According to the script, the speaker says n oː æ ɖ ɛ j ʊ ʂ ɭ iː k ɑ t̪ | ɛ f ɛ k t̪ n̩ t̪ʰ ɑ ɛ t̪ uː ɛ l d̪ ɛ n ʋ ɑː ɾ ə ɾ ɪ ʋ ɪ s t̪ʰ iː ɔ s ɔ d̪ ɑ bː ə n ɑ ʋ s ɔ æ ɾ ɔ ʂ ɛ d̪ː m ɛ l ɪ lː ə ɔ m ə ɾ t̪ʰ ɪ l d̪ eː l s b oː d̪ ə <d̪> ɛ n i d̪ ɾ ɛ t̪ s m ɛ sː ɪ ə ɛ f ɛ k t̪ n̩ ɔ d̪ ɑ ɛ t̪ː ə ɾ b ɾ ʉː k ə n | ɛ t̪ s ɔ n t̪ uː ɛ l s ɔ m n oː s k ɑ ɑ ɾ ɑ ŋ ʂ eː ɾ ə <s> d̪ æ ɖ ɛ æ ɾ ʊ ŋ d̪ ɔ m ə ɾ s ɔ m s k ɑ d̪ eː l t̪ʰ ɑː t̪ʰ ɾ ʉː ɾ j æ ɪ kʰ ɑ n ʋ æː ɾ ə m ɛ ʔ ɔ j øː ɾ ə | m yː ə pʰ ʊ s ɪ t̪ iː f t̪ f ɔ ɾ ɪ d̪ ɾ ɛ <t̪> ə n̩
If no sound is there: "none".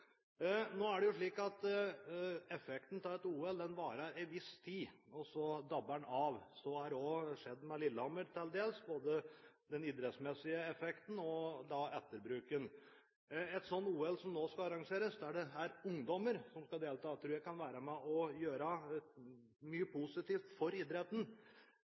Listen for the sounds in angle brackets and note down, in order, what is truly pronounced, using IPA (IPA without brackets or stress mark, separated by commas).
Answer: d̪, s, t̪